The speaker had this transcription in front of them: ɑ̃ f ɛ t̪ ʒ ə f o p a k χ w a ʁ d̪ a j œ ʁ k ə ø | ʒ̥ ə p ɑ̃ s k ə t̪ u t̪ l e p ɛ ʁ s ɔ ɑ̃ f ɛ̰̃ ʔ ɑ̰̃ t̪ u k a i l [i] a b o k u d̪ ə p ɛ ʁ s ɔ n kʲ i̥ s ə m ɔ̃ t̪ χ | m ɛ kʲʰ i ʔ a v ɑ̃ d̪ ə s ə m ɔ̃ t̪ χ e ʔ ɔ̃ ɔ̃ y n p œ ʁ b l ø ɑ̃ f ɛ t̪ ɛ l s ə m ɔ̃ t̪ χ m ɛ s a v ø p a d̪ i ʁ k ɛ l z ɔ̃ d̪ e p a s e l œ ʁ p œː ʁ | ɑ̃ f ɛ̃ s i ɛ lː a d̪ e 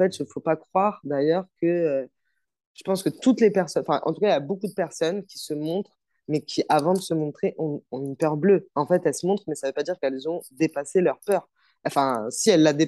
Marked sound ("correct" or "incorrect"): incorrect